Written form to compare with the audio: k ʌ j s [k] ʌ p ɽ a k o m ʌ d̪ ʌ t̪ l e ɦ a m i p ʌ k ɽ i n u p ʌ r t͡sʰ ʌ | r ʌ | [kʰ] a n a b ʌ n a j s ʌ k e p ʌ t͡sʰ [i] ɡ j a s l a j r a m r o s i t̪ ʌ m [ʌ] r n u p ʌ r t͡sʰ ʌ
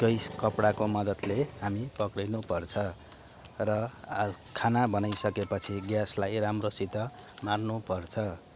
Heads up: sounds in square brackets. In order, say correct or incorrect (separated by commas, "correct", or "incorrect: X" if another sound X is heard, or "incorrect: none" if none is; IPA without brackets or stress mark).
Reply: correct, correct, correct, incorrect: a